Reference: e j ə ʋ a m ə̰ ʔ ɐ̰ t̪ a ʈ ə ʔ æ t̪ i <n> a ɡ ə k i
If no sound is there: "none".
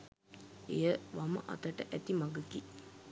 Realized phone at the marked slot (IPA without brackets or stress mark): m